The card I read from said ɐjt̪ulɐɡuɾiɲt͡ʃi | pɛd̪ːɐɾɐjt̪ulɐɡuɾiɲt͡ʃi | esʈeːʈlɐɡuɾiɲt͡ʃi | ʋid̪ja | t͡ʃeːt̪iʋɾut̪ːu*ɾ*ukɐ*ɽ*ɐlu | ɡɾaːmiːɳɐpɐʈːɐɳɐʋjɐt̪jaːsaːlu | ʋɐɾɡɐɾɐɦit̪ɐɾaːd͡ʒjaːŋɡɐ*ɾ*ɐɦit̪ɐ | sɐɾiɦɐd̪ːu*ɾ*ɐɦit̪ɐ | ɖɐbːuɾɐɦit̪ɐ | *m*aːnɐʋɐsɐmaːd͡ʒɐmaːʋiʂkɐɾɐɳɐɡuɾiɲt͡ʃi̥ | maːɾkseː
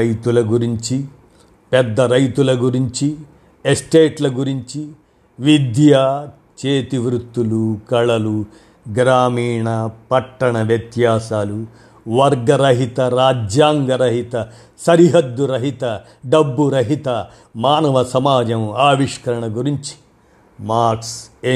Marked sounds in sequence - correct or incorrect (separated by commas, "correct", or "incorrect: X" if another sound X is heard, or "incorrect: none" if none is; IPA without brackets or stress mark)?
incorrect: l, incorrect: ɭ, correct, correct, correct